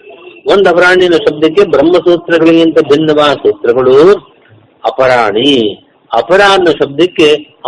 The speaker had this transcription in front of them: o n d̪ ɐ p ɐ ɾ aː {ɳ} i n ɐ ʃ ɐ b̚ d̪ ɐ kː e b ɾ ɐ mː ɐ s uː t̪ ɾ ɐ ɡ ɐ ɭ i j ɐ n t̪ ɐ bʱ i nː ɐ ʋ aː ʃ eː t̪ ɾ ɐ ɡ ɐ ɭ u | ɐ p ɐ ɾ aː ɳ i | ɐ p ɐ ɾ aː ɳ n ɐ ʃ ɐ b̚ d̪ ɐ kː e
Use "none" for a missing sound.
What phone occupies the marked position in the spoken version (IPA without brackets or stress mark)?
ɳ